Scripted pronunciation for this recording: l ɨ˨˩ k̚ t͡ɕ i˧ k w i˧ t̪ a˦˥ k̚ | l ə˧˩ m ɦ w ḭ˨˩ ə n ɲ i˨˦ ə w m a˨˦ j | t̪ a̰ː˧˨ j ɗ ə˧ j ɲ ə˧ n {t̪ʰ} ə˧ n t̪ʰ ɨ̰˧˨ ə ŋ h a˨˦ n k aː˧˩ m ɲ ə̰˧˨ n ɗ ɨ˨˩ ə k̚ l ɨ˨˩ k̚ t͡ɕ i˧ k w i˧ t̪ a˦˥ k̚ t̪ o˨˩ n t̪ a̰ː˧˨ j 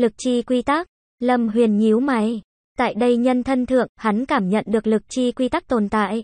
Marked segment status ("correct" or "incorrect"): correct